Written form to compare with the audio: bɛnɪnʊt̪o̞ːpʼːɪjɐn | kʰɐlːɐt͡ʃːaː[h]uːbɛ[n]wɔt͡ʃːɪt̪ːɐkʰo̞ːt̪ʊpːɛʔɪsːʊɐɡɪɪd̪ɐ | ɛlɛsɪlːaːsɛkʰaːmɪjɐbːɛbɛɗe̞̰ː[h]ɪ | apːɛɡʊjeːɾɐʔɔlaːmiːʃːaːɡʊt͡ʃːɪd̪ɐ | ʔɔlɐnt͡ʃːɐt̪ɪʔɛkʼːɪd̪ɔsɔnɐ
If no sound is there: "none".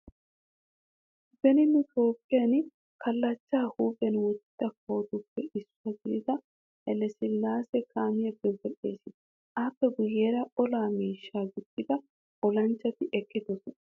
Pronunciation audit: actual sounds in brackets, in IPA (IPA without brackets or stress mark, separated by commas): h, n, s